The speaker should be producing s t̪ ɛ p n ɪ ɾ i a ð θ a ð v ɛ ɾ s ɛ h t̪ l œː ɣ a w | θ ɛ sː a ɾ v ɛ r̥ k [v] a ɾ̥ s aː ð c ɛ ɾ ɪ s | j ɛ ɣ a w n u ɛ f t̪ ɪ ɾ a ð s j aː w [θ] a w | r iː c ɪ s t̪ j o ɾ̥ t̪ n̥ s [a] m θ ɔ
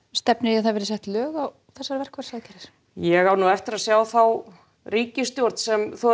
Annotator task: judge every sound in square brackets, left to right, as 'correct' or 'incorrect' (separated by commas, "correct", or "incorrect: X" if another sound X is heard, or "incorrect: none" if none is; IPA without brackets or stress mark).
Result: correct, correct, incorrect: ɛ